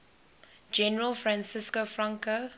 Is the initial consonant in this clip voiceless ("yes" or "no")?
no